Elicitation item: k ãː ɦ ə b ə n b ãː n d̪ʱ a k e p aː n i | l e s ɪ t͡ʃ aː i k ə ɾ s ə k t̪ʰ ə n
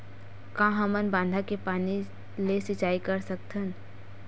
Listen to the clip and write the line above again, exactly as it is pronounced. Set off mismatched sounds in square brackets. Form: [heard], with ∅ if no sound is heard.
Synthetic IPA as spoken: k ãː ɦ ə [m] ə n b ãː n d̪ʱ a k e p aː n i | l e s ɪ t͡ʃ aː i k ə ɾ s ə k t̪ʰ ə n